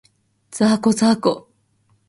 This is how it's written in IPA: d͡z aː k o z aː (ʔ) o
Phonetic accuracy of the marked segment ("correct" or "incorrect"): incorrect